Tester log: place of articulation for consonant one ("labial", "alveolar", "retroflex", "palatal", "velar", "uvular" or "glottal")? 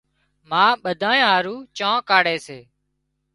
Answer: labial